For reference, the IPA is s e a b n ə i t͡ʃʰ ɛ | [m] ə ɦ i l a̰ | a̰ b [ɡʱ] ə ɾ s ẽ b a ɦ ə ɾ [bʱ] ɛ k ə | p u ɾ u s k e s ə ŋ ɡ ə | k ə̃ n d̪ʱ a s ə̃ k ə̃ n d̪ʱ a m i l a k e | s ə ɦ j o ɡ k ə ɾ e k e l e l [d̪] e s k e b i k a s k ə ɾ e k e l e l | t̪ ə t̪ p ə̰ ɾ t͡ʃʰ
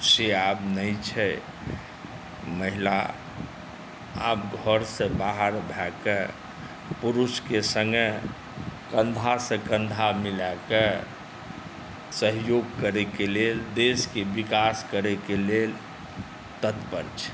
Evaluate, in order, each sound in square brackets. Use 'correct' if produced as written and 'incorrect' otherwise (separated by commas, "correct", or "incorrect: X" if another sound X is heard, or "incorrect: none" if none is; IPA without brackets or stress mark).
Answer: correct, correct, correct, correct